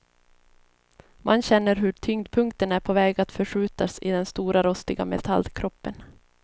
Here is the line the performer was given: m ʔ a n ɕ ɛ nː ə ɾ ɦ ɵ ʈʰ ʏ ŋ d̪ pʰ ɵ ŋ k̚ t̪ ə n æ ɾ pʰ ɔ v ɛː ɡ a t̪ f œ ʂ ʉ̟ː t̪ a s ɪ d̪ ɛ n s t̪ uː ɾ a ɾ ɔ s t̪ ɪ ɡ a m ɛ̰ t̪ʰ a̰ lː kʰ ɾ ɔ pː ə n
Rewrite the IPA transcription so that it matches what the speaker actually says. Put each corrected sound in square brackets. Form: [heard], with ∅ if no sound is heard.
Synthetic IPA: m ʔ a n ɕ ɛ nː ə ɾ ɦ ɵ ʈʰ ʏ ŋ d̪ pʰ ɵ ŋ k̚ t̪ ə n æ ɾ pʰ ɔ v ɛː ɡ a t̪ f œ ʂ ʉ̟ː t̪ a s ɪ d̪ ɛ n s t̪ uː ɾ a ɾ ɔ s t̪ ɪ ɡ a m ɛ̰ t̪ʰ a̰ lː kʰ ɾ ɔ pː ə n